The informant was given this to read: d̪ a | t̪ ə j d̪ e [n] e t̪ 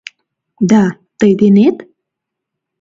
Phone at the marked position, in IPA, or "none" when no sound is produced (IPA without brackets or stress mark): n